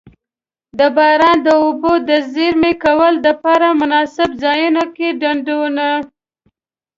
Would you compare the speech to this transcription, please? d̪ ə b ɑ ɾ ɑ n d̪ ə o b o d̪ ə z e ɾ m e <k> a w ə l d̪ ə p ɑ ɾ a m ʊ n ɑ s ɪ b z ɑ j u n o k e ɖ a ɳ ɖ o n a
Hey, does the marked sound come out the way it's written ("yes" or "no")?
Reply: yes